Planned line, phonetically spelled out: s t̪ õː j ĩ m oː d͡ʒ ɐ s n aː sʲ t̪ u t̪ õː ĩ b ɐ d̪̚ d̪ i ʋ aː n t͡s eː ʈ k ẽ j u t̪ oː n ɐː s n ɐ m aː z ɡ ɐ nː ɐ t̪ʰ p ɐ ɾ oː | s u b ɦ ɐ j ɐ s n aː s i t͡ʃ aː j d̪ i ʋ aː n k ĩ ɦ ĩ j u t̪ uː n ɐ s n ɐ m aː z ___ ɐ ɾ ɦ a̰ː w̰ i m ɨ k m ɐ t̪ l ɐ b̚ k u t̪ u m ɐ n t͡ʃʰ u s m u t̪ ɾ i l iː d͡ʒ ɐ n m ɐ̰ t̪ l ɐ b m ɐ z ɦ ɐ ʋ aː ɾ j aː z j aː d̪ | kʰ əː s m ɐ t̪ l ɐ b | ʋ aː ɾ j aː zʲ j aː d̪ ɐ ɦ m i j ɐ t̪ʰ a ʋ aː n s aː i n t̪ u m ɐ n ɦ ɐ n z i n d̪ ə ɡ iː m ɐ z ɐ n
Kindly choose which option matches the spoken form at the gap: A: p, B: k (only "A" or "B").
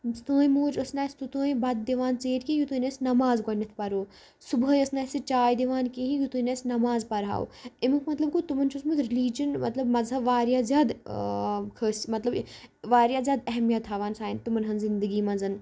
A